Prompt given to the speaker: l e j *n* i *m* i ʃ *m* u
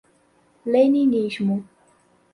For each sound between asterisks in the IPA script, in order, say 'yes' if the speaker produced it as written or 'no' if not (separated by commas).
yes, no, yes